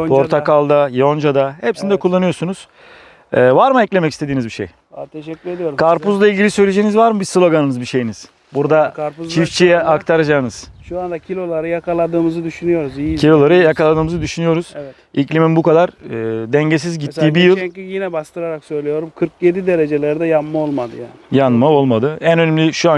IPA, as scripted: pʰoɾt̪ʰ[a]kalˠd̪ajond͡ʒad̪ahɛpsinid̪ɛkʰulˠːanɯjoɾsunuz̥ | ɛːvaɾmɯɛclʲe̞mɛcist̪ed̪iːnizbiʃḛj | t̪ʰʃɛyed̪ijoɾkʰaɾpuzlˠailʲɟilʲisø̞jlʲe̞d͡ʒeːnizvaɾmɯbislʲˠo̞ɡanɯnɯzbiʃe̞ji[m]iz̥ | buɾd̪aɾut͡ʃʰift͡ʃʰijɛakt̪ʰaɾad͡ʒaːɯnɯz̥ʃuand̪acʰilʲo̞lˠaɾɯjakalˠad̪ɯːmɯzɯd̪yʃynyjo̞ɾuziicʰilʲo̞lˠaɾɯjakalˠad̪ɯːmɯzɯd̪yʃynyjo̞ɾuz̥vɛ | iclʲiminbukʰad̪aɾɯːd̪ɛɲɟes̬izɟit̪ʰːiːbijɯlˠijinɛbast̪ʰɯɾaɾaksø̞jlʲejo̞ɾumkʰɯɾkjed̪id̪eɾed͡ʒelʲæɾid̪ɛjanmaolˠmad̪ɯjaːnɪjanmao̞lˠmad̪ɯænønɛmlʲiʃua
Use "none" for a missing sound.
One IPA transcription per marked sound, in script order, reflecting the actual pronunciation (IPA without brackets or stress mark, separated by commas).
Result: a, n